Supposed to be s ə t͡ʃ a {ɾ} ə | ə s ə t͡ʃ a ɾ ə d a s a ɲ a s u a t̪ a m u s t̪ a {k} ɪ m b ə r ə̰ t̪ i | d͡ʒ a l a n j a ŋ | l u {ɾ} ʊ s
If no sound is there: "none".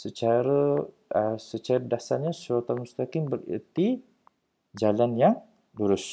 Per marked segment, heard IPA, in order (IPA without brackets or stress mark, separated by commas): ɾ, k, ɾ